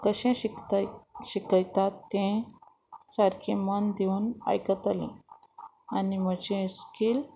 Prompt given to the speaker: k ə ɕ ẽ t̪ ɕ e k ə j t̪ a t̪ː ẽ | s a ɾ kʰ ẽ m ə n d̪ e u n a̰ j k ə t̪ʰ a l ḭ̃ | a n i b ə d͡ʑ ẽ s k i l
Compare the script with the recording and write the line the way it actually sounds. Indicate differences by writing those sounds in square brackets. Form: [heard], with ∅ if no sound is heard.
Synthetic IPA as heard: k ə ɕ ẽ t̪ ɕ [i] k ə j t̪ a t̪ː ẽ | s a ɾ kʰ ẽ m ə n d̪ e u n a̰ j k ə [t̪] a l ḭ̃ | a n i [m] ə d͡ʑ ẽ s k i l